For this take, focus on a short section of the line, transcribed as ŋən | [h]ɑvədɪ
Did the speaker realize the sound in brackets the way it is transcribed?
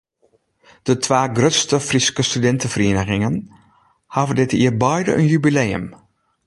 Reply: yes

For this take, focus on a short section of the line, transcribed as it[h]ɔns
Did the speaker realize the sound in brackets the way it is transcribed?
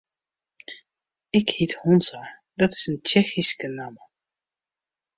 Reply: yes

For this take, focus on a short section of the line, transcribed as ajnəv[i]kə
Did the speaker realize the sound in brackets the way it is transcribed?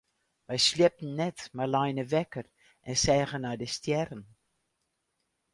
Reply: no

